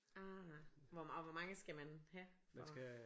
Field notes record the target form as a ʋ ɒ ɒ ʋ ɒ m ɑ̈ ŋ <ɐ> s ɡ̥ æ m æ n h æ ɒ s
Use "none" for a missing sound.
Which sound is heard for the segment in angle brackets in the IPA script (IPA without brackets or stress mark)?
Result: ə